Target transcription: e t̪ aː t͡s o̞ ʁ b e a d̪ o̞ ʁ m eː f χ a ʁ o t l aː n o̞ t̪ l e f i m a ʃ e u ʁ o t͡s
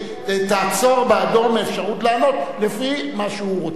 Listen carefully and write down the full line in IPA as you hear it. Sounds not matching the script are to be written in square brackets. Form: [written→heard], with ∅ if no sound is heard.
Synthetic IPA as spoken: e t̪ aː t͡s o̞ ʁ b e a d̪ o̞ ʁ m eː f [χ→ʃ] a ʁ [o→u] t l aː n o̞ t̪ l e f i m a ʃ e u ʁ o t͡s